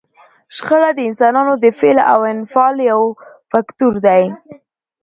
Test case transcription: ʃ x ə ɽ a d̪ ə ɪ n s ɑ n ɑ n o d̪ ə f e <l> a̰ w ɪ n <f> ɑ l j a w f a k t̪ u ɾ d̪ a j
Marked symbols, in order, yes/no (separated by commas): yes, yes